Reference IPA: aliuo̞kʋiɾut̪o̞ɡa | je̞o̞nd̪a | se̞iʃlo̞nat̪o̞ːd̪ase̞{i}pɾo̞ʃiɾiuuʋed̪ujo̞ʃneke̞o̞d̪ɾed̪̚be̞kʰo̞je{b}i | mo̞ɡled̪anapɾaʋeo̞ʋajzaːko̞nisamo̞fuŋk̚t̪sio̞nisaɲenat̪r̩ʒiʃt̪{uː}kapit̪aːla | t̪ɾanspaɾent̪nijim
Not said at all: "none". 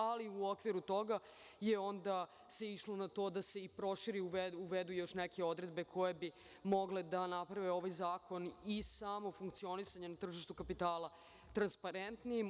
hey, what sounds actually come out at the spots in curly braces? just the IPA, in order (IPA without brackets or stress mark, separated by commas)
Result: i, b, u